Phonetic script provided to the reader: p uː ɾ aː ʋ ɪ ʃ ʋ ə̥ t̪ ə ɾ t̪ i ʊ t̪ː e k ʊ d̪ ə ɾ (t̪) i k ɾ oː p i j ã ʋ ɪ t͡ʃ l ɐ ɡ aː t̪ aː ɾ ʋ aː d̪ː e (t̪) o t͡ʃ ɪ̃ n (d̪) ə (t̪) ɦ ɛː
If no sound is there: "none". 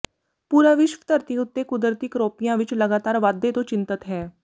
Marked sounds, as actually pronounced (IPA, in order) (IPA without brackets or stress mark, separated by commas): t̪, t̪, t̪, t̪